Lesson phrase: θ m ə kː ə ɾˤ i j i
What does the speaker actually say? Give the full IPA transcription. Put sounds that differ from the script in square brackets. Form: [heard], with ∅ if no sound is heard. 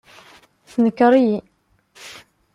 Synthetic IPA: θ [n] ə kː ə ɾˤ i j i